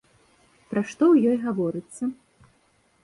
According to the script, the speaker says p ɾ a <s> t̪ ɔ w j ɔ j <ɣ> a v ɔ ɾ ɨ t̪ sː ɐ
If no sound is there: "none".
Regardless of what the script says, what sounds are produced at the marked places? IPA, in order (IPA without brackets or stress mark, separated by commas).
ʂ, ɣ